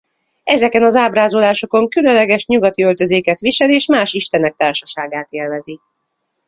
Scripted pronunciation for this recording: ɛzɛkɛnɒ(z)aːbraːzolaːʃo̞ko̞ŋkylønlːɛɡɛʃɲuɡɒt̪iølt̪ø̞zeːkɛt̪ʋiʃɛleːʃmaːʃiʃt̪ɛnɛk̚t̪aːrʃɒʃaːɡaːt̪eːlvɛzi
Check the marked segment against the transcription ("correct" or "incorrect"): correct